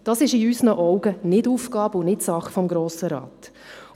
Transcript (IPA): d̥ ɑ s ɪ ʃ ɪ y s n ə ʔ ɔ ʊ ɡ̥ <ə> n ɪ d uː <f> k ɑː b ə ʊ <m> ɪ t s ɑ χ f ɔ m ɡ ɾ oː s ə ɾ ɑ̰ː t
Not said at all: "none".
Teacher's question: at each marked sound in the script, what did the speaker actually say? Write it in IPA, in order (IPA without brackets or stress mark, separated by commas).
ə, f, n